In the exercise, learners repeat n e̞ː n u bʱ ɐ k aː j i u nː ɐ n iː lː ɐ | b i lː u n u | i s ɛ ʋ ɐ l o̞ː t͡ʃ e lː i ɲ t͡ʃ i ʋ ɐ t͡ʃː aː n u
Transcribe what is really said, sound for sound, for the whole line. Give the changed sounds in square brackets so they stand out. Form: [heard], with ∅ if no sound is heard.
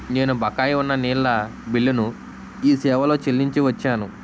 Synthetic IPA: n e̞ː n u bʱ ɐ k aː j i u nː ɐ n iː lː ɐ | b i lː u n u | [iː] s [ɛː] ʋ ɐ l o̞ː t͡ʃ e lː i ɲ t͡ʃ i ʋ ɐ t͡ʃː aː n u